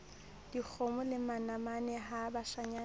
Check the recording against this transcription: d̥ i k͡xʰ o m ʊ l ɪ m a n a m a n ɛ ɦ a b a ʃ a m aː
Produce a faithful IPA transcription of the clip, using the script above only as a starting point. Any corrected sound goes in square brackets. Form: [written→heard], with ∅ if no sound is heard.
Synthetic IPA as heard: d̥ i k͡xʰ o m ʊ l ɪ m a n a m a n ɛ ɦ a b a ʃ a [m→ɲ] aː